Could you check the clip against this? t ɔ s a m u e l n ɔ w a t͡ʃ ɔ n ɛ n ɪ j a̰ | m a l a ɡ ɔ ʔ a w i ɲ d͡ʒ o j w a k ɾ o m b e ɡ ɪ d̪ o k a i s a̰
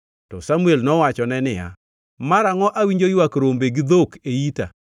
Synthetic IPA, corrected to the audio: t ɔ s a m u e l n ɔ w a t͡ʃ ɔ n ɛ n ɪ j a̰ | m a ɾ a ŋ ɔ ʔ a w i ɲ d͡ʒ o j w a k ɾ o m b e ɡ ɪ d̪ o k e i t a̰